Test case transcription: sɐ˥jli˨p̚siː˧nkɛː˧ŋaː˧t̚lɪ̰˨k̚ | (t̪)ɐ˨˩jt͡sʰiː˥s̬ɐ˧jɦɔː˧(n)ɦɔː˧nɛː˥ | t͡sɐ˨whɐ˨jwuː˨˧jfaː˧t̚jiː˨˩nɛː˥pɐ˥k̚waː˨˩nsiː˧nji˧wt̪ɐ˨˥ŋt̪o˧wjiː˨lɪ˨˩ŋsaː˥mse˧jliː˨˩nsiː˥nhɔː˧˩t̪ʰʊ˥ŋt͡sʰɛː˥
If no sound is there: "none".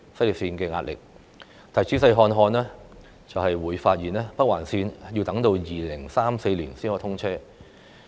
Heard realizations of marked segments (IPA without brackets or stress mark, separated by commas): t̪ʰ, n